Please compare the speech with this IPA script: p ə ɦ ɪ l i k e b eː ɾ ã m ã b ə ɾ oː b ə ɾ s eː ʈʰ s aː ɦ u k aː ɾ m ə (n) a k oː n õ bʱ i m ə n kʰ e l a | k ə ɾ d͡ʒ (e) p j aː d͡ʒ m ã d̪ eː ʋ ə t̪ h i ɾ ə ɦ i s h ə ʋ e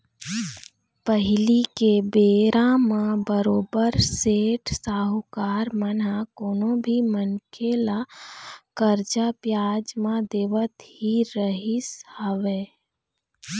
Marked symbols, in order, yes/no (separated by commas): yes, no